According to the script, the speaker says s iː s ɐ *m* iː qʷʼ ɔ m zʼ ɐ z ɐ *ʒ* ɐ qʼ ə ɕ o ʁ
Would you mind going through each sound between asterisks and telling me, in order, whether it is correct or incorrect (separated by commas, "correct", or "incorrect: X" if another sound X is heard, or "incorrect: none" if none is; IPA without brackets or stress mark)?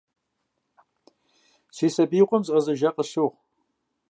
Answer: incorrect: b, correct